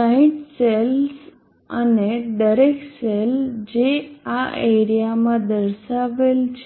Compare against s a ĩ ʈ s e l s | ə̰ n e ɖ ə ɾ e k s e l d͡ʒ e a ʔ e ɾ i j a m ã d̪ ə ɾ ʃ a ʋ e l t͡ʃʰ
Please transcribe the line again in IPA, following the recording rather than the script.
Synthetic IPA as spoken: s a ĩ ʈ s e l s | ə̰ n e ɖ ə ɾ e k s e l d͡ʒ e a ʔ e ɾ i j a m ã d̪ ə ɾ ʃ a ʋ e l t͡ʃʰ